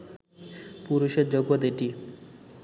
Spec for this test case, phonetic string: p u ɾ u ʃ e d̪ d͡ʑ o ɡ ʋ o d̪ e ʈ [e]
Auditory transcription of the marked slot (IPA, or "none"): i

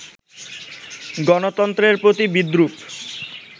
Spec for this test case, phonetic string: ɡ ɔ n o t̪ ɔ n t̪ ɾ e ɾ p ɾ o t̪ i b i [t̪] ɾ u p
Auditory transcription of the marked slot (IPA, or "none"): d̪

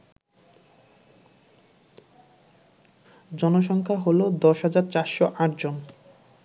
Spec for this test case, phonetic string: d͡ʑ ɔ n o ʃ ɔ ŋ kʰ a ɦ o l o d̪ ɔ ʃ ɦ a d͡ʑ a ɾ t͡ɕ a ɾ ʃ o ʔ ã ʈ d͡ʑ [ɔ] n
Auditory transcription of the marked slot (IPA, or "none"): o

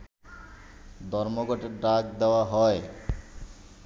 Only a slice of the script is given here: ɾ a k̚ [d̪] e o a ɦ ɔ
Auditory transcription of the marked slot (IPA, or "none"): d̪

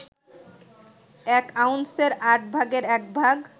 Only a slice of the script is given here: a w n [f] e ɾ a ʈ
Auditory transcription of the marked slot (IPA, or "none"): s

